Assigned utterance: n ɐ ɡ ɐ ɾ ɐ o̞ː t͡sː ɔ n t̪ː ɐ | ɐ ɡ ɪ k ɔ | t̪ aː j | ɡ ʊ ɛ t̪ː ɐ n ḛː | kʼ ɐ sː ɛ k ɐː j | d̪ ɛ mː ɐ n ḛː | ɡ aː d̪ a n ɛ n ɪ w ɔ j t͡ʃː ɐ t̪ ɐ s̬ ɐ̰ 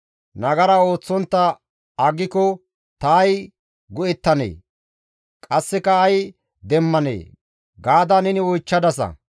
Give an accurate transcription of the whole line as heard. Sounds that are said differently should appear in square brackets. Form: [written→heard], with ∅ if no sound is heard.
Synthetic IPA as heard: n ɐ ɡ ɐ ɾ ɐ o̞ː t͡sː ɔ n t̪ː ɐ | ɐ ɡ ɪ k ɔ | t̪ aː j | ɡ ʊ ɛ t̪ː ɐ n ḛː | kʼ ɐ sː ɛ k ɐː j | d̪ ɛ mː ɐ n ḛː | ɡ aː d̪ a n ɛ n ɪ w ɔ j t͡ʃː ɐ [t̪→d̪] ɐ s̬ ɐ̰